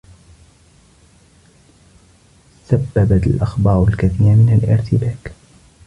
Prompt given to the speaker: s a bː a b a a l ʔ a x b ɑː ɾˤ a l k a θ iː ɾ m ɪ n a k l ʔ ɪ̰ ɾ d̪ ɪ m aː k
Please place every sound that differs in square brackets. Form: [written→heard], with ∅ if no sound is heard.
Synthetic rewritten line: s a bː a b a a l ʔ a x b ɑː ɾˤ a l k a θ iː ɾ m ɪ n a [k→∅] l ʔ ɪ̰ ɾ [d̪→t̪] ɪ [m→b] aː k

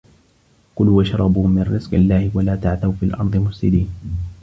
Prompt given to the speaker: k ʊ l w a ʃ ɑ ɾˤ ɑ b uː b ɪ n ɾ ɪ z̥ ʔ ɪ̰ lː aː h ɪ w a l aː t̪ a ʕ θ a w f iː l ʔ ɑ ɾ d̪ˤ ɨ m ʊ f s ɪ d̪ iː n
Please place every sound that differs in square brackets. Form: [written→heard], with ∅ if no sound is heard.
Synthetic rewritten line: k ʊ l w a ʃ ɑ ɾˤ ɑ b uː [b→m] ɪ n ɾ ɪ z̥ [ʔ→q] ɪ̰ lː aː h ɪ w a l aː t̪ a ʕ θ a w f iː l ʔ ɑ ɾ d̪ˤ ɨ m ʊ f s ɪ d̪ iː n

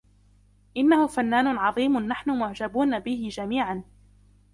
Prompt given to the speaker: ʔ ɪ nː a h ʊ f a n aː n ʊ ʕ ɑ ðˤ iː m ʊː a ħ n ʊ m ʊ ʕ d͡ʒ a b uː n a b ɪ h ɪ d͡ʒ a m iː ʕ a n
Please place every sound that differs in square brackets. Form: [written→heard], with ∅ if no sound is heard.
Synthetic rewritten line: ʔ ɪ nː a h ʊ f a [n→nː] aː n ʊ ʕ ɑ ðˤ iː m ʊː a ħ n ʊ m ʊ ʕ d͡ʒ a b uː n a b ɪ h ɪ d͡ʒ a m iː ʕ a n

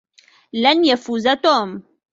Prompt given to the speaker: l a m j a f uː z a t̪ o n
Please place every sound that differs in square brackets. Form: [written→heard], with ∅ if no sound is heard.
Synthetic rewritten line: l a [m→n] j a f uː z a t̪ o [n→m]

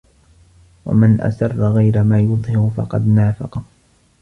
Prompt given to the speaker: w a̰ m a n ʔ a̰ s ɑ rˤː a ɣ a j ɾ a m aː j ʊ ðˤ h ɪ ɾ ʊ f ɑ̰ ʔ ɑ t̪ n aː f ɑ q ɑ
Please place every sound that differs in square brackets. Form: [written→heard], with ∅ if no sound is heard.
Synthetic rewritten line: w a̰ m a n ʔ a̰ s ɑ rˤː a ɣ a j ɾ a m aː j ʊ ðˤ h ɪ ɾ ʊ f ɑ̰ [ʔ→q] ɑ [t̪→d̪] n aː f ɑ q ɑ

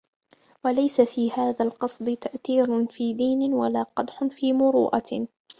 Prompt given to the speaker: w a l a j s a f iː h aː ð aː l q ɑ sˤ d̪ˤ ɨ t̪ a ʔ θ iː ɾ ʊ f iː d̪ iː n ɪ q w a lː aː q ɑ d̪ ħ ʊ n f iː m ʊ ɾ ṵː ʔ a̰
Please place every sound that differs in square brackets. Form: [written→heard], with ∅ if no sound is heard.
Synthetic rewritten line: w a l a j s a f iː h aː ð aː l q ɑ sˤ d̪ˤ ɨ t̪ a ʔ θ iː ɾ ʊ f iː d̪ iː n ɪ [q→∅] w a [lː→l] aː q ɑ d̪ ħ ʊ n f iː m ʊ ɾ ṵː ʔ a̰

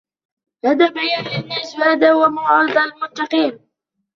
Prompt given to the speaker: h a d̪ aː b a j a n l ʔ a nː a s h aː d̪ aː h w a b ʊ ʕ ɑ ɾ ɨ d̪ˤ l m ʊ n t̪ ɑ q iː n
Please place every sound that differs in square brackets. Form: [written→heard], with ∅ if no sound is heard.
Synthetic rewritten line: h a d̪ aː b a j a n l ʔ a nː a s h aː d̪ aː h w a [b→m] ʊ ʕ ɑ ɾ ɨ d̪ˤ l m ʊ n t̪ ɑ q iː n

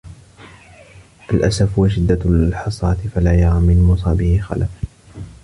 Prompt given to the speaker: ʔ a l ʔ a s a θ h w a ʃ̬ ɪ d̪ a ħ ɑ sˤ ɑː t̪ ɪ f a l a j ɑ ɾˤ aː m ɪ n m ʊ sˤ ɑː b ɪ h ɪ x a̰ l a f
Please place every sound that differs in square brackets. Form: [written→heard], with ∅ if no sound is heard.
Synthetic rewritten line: ʔ a l ʔ a s a [θ→f] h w a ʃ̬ ɪ [d̪→d̪ː] a ħ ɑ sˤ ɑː t̪ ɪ f a l a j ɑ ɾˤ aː m ɪ n m ʊ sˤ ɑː b ɪ h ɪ x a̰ l a f

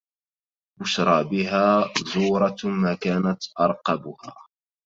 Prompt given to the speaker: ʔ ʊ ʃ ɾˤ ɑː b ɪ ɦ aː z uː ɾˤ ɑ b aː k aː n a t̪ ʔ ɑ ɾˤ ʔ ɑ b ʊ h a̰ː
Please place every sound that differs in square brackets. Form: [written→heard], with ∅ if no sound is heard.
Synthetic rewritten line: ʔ ʊ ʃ ɾˤ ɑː b ɪ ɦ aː z uː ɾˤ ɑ [b→m] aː k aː n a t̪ ʔ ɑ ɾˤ [ʔ→q] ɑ b ʊ h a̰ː

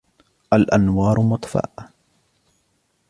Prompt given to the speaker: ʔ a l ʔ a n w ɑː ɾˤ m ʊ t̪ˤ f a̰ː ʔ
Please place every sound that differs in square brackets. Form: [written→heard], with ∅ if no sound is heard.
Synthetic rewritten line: ʔ a l ʔ a n w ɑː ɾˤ m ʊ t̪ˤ f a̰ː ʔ

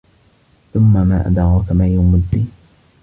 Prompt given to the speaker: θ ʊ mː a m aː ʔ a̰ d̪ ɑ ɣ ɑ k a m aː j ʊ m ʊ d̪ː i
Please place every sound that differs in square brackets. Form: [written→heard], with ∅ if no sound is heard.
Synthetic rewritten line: θ ʊ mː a m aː ʔ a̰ d̪ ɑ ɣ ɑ k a m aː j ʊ m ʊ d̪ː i

